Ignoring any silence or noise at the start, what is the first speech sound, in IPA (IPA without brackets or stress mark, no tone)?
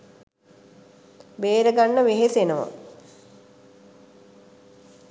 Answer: b